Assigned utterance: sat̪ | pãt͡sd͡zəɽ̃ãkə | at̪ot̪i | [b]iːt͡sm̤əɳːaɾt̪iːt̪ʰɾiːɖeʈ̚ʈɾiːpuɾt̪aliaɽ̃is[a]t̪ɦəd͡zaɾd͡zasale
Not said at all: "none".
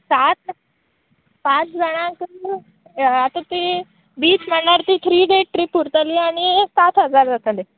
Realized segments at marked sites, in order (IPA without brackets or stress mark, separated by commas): b, a